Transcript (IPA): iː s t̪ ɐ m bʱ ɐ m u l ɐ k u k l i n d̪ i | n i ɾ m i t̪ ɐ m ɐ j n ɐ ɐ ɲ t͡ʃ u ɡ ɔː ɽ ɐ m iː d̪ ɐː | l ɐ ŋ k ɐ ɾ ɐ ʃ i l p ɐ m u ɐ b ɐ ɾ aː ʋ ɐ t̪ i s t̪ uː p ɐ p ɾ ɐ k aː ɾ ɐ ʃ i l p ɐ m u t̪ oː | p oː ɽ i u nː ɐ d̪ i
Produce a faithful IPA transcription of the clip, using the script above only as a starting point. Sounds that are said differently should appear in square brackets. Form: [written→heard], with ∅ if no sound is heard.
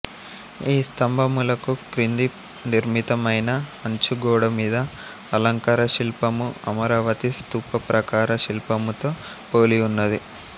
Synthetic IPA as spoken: iː s t̪ ɐ m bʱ ɐ m u l ɐ k u k [l→ɾ] i n d̪ i | n i ɾ m i t̪ ɐ m ɐ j n ɐ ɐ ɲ t͡ʃ u ɡ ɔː ɽ ɐ m iː d̪ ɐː | l ɐ ŋ k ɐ ɾ ɐ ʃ i l p ɐ m u ɐ [b→m] ɐ ɾ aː ʋ ɐ t̪ i s t̪ uː p ɐ p ɾ ɐ k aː ɾ ɐ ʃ i l p ɐ m u t̪ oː | p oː [ɽ→l] i u nː ɐ d̪ i